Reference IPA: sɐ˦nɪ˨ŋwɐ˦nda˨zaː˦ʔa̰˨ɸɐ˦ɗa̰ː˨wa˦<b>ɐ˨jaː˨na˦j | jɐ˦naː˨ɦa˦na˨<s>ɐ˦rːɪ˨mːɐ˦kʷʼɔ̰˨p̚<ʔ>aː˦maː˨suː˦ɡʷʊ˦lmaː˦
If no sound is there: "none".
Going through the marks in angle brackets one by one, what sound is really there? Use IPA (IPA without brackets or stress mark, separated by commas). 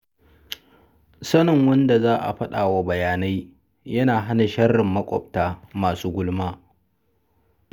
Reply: b, ʃ, t